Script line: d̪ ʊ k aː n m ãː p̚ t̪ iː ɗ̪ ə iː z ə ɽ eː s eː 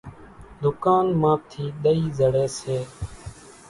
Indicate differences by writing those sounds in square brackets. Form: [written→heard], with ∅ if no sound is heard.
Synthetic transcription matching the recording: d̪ ʊ k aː n m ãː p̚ [t̪→t̪ʰ] iː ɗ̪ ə iː z ə ɽ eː s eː